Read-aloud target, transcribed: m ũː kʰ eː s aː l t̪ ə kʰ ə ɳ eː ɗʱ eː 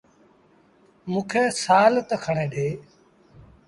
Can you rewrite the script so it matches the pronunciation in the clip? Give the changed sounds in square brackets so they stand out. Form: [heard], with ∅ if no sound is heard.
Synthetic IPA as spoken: m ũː kʰ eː s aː l t̪ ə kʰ ə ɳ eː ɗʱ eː